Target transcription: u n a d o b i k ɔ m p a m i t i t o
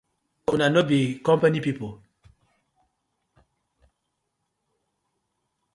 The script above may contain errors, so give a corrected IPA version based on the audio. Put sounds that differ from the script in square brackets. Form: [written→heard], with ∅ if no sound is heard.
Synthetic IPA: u n a [d→n] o b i k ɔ m p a [m→n] i [t→p] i [t→p] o